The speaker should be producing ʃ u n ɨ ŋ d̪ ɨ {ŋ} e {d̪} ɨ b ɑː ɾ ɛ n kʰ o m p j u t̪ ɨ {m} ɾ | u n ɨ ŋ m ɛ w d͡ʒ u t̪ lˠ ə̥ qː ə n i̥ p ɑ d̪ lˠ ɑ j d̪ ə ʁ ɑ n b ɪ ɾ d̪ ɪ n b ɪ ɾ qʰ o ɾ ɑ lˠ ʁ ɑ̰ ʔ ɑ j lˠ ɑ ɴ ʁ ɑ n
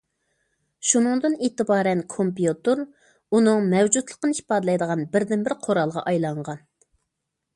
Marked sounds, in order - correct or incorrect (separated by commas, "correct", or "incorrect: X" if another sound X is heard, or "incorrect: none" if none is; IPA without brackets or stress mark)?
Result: incorrect: n, incorrect: t̪, incorrect: none